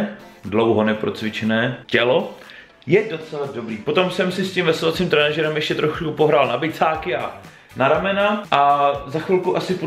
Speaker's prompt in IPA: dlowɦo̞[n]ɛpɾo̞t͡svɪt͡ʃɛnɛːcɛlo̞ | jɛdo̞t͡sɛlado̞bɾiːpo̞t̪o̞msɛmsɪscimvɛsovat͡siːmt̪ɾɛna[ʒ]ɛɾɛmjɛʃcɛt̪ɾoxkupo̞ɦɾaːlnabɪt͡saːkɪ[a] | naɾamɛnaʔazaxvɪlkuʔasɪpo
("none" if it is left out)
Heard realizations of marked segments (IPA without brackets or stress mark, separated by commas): n, ʒ, a